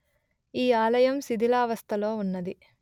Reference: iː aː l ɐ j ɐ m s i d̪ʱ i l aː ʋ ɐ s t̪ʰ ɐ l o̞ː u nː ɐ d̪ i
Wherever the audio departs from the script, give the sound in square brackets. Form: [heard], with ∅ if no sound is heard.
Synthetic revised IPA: iː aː l ɐ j ɐ m s i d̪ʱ i l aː ʋ ɐ s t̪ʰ ɐ l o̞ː u nː ɐ d̪ i